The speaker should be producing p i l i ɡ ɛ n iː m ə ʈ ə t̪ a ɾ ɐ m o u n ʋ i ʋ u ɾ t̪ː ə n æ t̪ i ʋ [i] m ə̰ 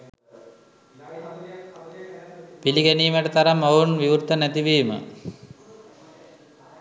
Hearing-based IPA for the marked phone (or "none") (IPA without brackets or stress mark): iː